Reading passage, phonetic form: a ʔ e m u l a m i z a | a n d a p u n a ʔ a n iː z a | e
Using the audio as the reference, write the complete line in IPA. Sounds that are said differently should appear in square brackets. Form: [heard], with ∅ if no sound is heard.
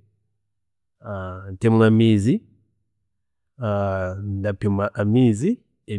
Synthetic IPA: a [t] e m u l a m i z [i] | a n d a p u [m] a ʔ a [m] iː z [i] | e

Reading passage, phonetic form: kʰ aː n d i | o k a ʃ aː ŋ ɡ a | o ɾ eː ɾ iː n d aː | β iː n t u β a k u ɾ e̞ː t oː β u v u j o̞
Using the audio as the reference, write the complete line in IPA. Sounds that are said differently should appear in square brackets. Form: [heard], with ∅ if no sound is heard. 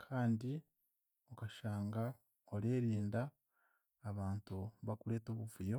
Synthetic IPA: kʰ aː n d i | o k a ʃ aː ŋ ɡ a | o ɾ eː ɾ iː n d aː | β [aː] n t u β a k u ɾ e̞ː t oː β u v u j o̞

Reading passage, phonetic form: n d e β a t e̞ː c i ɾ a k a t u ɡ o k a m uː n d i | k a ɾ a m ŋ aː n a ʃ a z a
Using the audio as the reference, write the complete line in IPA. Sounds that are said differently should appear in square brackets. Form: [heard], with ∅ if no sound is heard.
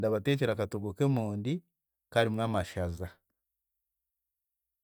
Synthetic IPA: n d [a] β a t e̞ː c [e] ɾ a k a t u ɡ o k [e] m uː n d i | k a ɾ [i] m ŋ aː [m] a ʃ a z a

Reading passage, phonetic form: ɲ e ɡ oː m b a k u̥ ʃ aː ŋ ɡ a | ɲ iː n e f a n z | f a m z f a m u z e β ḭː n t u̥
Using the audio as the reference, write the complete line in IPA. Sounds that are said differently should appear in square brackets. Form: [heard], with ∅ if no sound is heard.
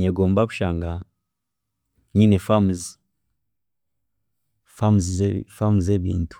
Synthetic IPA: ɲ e ɡ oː m b a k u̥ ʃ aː ŋ ɡ a | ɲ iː n e f a [m] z | f a m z f a m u z e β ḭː n t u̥

